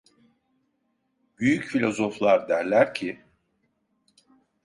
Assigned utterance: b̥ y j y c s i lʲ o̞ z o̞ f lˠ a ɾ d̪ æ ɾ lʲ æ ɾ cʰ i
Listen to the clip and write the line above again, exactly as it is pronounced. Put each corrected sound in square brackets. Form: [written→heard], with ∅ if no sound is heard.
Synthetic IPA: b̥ y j y c [s→f] i lʲ o̞ z o̞ f lˠ a ɾ d̪ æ ɾ lʲ æ ɾ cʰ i